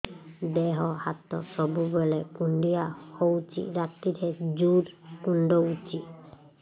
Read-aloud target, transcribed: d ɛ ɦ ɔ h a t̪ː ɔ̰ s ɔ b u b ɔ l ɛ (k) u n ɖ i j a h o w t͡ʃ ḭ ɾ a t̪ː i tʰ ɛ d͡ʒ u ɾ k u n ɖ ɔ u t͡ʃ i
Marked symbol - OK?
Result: yes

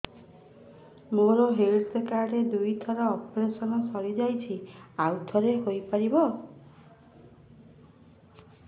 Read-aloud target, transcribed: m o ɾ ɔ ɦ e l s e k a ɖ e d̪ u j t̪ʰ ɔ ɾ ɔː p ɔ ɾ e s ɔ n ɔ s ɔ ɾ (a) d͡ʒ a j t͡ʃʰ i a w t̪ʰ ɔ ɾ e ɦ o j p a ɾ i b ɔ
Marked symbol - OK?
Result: no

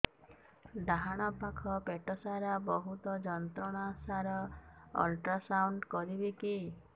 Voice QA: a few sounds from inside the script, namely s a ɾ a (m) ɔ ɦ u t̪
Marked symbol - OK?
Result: no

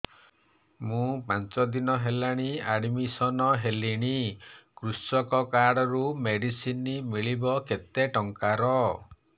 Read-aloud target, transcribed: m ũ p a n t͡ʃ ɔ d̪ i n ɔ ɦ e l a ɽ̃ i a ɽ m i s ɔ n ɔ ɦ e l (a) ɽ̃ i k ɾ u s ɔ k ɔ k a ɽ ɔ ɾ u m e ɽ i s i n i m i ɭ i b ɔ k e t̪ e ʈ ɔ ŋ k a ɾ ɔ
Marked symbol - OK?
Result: no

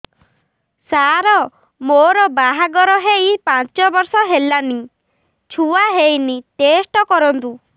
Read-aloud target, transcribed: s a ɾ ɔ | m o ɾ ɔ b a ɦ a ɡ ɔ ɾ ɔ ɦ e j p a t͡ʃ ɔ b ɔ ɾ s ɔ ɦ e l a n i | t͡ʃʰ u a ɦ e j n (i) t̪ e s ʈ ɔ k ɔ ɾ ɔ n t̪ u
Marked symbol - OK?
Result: yes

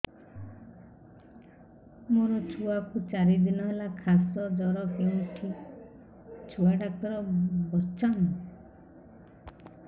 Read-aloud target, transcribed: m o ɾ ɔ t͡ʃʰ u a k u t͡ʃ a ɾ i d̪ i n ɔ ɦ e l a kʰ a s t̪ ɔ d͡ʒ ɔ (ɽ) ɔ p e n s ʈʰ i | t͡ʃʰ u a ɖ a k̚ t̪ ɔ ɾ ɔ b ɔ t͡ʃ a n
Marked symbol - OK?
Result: no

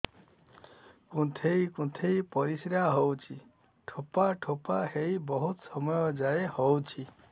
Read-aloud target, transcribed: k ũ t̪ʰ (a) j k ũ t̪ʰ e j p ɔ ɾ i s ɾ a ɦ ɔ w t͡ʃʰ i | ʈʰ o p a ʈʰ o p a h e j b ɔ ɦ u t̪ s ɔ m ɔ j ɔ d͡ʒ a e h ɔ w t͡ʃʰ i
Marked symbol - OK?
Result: no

